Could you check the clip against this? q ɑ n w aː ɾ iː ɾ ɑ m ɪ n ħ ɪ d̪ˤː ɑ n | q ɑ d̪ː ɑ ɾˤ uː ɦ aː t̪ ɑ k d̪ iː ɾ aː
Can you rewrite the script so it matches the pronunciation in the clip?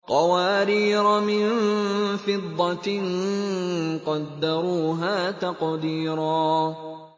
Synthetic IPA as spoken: q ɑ w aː ɾ iː ɾ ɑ m ɪ n f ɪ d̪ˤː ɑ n | q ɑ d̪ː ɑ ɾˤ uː ɦ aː t̪ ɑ q d̪ iː ɾ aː